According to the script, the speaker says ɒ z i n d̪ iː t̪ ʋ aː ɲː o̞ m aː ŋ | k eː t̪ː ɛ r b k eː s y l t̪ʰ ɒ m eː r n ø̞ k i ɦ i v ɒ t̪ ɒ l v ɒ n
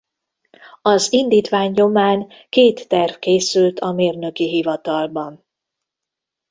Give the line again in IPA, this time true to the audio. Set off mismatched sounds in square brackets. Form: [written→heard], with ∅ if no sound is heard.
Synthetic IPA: ɒ z i n d̪ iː t̪ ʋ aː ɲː o̞ m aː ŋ | k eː t̪ː ɛ r [b→v] k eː s y l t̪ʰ ɒ m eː r n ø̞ k i ɦ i v ɒ t̪ ɒ l [v→b] ɒ n

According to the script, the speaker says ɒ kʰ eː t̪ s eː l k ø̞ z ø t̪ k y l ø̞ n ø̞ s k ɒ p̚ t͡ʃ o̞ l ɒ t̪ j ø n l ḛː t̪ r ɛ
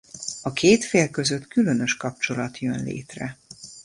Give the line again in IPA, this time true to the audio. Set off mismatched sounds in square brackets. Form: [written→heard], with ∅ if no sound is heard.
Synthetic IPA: ɒ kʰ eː t̪ [s→f] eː l k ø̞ z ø t̪ k y l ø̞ n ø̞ [s→ʃ] k ɒ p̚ t͡ʃ o̞ l ɒ t̪ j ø n l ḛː t̪ r ɛ

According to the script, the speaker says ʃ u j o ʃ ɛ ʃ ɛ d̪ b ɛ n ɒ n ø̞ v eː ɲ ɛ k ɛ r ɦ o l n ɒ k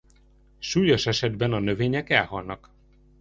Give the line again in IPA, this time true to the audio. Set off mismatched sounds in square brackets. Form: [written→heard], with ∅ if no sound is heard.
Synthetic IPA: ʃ [u→uː] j o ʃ ɛ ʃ ɛ d̪ b ɛ n ɒ n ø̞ v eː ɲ ɛ k ɛ [r→l] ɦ [o→ɒ] l n ɒ k

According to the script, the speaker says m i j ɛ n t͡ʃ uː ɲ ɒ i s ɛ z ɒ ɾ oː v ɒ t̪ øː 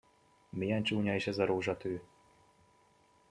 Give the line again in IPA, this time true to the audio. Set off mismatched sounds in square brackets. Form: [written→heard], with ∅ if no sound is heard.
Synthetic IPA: m i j ɛ n t͡ʃ uː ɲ ɒ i [s→ʃ] ɛ z ɒ ɾ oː [v→ʒ] ɒ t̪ øː

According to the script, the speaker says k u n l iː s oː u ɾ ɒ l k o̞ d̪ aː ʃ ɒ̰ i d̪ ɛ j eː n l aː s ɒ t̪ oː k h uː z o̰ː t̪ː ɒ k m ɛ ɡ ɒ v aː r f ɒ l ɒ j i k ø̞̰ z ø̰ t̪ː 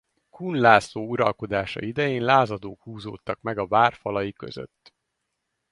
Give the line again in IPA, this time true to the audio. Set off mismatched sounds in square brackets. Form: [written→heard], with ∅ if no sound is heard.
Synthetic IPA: k u n l [iː→aː] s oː u ɾ ɒ l k o̞ d̪ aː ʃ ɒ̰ i d̪ ɛ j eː n l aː [s→z] ɒ [t̪→d̪] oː k h uː z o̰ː t̪ː ɒ k m ɛ ɡ ɒ v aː r f ɒ l ɒ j i k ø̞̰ z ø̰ t̪ː

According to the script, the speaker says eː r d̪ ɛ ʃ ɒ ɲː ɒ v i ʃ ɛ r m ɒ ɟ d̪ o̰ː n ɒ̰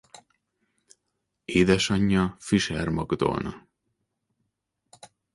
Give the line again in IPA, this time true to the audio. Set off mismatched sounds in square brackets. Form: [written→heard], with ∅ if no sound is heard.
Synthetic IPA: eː [r→∅] d̪ ɛ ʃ ɒ ɲː ɒ [v→f] i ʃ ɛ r m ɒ [ɟ→ɡ] d̪ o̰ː n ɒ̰

